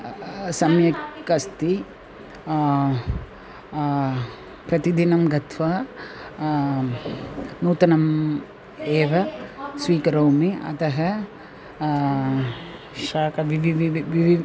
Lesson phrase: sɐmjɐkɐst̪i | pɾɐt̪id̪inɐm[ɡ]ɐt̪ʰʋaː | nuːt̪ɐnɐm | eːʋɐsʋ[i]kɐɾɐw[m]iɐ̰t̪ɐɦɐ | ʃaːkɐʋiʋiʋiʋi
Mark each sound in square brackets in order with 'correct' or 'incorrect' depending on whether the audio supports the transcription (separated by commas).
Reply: correct, incorrect, correct